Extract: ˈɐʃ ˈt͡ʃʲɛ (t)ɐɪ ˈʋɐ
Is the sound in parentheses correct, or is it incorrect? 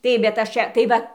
correct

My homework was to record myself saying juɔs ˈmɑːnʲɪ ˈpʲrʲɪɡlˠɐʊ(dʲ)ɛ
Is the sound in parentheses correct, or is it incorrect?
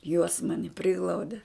correct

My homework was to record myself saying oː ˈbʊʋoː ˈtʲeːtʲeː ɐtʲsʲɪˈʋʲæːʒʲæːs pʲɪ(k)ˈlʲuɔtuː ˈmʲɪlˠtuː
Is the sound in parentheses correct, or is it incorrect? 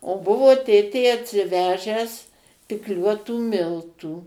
correct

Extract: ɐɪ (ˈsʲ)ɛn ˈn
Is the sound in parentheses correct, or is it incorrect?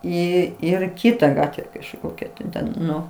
incorrect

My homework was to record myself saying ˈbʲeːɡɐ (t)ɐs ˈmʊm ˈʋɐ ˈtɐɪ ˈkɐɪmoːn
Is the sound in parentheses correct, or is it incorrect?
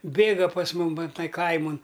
incorrect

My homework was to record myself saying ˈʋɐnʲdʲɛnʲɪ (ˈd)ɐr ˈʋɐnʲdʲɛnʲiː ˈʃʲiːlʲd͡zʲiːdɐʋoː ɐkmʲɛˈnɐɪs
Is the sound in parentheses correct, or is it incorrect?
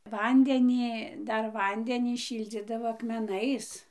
correct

